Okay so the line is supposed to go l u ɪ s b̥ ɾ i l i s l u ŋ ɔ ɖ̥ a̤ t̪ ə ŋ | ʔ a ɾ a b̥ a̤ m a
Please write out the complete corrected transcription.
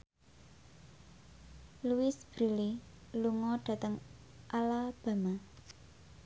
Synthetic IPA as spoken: l u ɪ s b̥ ɾ i l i l u ŋ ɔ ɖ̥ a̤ t̪ ə ŋ | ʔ a l a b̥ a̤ m a